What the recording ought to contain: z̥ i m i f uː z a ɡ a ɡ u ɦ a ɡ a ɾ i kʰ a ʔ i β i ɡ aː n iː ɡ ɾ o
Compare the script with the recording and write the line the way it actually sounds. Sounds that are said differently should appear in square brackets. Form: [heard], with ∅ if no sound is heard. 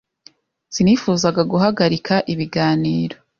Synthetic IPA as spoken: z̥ i [n] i f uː z a ɡ a ɡ u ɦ a ɡ a ɾ i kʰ a ʔ i β i ɡ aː n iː [∅] ɾ o